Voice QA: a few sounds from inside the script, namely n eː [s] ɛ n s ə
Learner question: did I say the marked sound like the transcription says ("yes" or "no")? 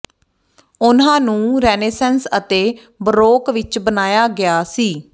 yes